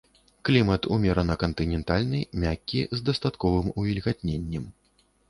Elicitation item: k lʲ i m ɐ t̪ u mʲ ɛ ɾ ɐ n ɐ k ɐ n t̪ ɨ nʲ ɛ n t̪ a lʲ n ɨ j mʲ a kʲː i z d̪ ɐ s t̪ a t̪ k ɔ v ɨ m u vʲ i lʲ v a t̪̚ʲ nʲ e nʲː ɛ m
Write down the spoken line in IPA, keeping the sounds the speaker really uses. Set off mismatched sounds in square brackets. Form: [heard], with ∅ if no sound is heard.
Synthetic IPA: k lʲ i m ɐ t̪ u mʲ ɛ ɾ ɐ n ɐ k ɐ n t̪ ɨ nʲ ɛ n t̪ a lʲ n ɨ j mʲ a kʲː i z d̪ ɐ s t̪ a t̪ k ɔ v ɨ m u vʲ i lʲ [ɣ] a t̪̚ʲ nʲ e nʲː ɛ m